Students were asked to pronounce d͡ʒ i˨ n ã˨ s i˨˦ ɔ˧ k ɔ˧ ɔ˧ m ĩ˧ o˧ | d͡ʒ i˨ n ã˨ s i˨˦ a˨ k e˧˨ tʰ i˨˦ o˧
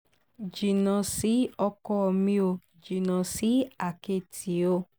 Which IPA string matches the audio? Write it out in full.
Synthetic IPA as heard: d͡ʒ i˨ n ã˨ s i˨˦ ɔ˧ k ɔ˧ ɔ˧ m ĩ˧ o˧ | d͡ʒ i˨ n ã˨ s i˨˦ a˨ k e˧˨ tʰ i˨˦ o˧